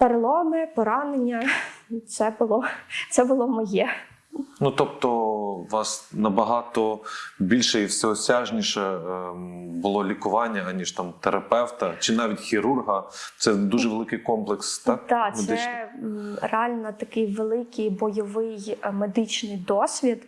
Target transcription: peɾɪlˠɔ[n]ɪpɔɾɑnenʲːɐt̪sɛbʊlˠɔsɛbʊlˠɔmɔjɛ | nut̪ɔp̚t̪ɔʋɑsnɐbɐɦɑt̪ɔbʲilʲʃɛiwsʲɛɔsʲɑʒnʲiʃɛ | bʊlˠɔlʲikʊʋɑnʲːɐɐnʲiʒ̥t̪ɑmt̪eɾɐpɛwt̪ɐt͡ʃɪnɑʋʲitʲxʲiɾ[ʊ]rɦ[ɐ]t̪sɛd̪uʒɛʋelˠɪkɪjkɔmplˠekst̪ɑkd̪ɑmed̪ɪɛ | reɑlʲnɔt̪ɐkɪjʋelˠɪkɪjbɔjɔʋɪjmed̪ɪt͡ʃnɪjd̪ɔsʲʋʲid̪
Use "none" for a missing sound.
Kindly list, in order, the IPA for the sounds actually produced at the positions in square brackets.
m, u, ɐ

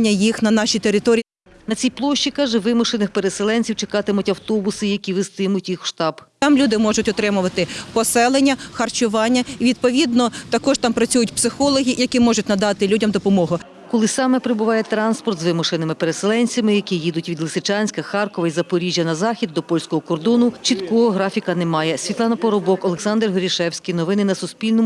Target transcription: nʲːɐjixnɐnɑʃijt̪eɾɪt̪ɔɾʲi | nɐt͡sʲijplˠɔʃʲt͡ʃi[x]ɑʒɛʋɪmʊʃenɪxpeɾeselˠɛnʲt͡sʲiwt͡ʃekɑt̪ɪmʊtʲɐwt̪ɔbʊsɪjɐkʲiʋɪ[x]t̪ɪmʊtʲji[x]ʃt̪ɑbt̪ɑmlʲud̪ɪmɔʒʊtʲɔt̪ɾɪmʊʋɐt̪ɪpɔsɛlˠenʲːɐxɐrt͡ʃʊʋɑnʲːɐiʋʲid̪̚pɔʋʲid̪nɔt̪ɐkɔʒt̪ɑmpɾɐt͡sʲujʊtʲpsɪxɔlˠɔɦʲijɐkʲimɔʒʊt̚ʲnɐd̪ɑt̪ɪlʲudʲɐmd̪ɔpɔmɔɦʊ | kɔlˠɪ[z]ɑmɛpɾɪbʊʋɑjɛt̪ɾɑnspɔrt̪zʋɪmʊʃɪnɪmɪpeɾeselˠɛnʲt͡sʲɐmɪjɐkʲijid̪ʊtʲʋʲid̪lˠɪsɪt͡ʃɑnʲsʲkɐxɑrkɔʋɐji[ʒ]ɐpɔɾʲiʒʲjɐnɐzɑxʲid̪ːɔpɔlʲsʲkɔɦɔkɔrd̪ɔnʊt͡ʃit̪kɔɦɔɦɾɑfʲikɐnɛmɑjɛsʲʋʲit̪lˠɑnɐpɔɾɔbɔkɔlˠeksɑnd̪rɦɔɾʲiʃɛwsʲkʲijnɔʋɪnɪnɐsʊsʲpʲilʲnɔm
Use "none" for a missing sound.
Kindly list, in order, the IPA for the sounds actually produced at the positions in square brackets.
k, s, x, s, z

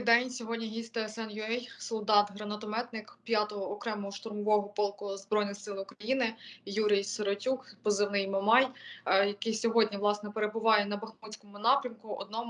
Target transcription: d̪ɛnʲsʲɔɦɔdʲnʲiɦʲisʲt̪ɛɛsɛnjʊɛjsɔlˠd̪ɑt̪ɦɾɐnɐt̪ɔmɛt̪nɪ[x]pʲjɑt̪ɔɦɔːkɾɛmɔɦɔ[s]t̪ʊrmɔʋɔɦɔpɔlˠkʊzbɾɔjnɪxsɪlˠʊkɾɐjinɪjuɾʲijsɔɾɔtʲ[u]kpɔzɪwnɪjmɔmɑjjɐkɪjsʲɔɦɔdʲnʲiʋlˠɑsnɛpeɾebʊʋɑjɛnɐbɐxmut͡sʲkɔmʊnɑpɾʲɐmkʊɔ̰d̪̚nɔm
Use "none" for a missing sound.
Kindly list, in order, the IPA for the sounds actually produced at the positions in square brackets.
k, ʃ, u

